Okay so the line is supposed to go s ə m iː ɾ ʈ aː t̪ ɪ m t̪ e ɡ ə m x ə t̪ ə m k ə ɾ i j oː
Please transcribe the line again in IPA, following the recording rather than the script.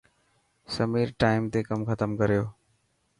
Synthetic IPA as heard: s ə m iː ɾ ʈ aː ɪ m t̪ e k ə m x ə t̪ ə m k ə ɾ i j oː

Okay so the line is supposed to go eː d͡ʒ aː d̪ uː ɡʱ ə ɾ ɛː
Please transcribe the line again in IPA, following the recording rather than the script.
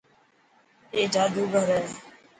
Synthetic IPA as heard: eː d͡ʒ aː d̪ uː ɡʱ ə ɾ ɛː

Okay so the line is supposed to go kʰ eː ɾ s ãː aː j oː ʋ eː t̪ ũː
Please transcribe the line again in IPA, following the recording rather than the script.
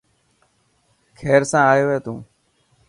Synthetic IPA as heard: kʰ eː ɾ s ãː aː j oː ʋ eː t̪ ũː

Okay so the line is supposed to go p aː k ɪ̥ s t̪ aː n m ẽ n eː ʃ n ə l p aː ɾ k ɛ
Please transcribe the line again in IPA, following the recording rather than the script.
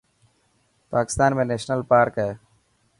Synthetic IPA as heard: p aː k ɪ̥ s t̪ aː n m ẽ n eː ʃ n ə l p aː ɾ k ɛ

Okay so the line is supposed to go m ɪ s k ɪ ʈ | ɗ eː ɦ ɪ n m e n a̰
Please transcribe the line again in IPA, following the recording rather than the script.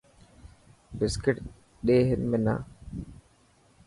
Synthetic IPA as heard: b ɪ s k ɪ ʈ | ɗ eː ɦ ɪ n m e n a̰

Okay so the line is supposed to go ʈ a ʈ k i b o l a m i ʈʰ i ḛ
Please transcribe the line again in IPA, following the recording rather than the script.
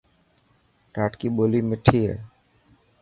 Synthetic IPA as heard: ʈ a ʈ k i b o l i m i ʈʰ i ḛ

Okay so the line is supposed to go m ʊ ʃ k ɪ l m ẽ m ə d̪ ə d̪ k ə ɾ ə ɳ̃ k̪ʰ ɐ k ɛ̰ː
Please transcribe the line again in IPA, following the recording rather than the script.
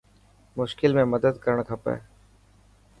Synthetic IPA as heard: m ʊ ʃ k ɪ l m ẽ m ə d̪ ə d̪ k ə ɾ ə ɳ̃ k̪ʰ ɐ p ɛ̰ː

